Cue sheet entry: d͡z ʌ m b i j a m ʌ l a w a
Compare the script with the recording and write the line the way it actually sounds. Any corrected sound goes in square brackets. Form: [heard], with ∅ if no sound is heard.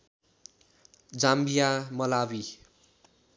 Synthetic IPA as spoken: d͡z [a] m b i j a m ʌ l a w [i]